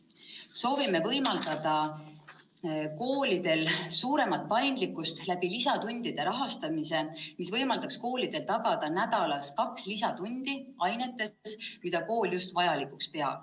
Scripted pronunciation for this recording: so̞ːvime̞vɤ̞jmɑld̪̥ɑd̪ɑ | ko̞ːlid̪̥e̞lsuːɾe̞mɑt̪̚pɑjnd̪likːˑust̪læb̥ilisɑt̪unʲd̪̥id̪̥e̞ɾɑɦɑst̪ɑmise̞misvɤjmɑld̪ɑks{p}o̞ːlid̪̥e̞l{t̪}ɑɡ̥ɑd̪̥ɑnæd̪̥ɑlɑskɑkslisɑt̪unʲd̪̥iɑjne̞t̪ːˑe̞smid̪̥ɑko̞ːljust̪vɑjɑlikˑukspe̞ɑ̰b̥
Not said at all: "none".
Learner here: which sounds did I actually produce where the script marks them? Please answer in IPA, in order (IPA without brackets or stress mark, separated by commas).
k, t̪